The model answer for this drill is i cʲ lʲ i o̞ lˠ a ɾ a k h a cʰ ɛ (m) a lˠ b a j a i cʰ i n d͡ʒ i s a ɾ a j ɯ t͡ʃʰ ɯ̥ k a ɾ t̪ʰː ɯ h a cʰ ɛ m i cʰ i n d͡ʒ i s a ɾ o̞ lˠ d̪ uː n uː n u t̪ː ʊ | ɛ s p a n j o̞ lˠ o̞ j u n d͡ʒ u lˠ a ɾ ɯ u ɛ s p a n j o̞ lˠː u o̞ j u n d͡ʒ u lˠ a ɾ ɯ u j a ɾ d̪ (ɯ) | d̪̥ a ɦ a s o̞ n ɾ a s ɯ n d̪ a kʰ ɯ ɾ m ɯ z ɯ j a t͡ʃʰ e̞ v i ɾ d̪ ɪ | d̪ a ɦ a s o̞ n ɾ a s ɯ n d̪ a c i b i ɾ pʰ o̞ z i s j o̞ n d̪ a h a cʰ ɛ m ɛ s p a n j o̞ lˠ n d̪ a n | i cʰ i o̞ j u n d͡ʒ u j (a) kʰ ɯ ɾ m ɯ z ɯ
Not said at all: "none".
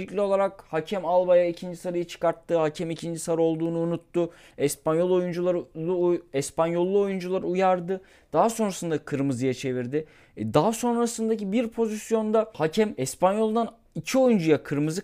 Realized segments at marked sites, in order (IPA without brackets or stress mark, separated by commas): m, ɯ, a